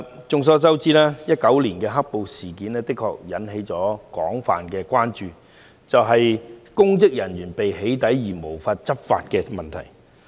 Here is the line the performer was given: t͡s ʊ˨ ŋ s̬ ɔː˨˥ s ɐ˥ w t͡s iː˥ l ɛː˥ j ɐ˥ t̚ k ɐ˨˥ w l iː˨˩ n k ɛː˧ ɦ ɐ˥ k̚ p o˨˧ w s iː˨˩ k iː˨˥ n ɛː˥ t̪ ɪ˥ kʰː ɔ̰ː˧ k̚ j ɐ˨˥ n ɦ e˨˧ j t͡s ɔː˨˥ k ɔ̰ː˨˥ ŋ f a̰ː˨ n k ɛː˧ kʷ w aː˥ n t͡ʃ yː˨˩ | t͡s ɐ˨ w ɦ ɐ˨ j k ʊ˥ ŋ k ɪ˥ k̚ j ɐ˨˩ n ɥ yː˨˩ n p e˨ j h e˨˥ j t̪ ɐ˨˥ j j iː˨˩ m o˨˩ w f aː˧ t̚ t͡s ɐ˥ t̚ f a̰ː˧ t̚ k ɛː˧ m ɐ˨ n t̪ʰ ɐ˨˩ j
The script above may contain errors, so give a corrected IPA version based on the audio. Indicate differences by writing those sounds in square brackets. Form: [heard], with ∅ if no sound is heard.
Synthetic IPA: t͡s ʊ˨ ŋ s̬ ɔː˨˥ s ɐ˥ w t͡s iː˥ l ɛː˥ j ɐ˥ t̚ k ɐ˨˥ w l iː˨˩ n k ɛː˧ ɦ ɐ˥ k̚ p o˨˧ w s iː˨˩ k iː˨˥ n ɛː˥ t̪ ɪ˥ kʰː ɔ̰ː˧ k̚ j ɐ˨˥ n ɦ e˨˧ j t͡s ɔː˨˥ k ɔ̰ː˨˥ ŋ f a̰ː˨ n k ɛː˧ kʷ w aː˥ n t͡ʃ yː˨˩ | t͡s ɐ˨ w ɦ ɐ˨ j k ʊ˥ ŋ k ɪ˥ k̚ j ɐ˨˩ n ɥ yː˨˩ n p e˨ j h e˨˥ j t̪ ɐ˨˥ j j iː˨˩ m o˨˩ w f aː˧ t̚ t͡s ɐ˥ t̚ f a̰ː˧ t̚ k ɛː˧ m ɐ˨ n t̪ʰ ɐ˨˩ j